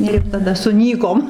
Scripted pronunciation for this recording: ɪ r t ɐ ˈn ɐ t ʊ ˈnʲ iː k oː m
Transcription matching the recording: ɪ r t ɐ ˈd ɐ s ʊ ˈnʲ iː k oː m